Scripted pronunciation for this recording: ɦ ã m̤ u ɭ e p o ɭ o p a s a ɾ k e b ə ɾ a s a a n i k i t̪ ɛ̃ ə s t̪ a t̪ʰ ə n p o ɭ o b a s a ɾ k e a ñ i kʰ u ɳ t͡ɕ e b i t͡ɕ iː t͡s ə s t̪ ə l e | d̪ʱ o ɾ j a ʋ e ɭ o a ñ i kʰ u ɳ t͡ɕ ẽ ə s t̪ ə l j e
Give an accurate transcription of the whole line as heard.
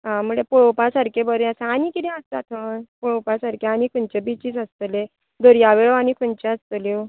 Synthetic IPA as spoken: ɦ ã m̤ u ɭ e p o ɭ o p a s a ɾ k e b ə ɾ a s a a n i k i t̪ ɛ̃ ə s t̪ a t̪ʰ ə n p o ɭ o p a s a ɾ k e a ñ i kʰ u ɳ t͡ɕ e b i t͡ɕ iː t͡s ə s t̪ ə l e | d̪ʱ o ɾ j a ʋ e ɭ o a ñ i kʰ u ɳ t͡ɕ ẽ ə s t̪ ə l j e